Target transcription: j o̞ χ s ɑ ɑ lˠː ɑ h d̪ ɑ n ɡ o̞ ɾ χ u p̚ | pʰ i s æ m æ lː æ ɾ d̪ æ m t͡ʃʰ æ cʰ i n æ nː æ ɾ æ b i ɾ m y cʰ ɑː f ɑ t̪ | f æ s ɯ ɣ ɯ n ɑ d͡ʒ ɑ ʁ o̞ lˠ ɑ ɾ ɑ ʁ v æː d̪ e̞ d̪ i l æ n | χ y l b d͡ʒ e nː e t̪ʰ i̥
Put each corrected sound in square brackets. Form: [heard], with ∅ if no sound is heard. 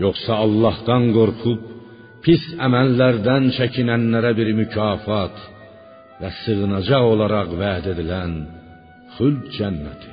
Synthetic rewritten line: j o̞ χ s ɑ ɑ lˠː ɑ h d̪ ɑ n ɡ o̞ ɾ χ u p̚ | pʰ i s æ m æ lː æ ɾ d̪ æ [n] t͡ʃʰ æ cʰ i n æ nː æ ɾ æ b i ɾ m y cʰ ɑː f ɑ t̪ | [v] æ s ɯ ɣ ɯ n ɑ d͡ʒ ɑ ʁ o̞ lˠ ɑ ɾ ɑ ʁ v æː d̪ e̞ d̪ i l æ n | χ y l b d͡ʒ [æ] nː [æ] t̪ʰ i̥